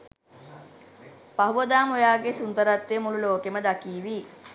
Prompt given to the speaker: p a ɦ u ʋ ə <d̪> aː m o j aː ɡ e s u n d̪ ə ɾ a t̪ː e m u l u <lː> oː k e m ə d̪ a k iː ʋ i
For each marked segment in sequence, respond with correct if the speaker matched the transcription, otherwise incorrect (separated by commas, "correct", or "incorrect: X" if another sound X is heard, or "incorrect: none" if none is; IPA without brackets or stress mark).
correct, incorrect: l